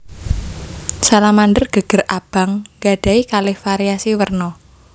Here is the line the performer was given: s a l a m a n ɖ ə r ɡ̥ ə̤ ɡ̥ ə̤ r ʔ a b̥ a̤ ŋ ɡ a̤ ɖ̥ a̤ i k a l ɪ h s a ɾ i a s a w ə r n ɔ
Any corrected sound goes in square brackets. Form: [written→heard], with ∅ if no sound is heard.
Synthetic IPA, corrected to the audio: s a l a m a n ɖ ə r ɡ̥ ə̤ ɡ̥ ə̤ r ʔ a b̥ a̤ ŋ ɡ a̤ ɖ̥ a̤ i k a l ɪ h [s→f] a ɾ i a s [a→i] w ə r n ɔ